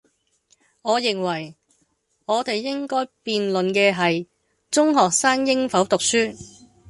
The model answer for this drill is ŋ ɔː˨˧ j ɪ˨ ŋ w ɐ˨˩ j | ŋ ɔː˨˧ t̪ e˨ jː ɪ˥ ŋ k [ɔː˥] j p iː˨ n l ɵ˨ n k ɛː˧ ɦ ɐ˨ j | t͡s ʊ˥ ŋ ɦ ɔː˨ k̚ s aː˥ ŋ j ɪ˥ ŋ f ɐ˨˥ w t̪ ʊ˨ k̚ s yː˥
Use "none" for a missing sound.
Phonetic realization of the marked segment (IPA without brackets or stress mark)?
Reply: ɔː˥